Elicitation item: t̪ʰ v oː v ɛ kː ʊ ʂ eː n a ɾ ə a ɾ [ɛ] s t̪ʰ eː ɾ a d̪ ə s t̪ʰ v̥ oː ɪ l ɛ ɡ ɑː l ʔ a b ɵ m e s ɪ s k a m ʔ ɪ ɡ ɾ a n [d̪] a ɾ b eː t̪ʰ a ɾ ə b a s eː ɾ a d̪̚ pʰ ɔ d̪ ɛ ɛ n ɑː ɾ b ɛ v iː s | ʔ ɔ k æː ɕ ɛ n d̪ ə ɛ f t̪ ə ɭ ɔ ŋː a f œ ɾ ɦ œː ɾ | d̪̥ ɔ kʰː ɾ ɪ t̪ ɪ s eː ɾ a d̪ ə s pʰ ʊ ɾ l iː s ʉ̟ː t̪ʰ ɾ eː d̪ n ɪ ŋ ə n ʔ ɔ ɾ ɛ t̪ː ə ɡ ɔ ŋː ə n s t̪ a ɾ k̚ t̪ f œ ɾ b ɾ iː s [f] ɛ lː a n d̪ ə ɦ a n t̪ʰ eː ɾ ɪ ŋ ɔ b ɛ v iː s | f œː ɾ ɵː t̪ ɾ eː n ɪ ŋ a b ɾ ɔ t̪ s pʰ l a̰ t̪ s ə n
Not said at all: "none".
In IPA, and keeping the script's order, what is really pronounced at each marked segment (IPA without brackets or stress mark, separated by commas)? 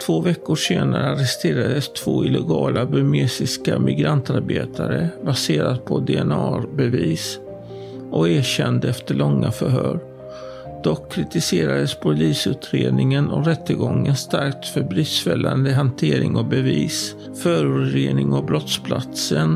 ɛ, t̪, f